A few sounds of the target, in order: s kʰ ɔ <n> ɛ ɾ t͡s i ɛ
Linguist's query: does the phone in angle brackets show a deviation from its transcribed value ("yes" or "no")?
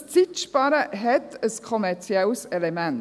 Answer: yes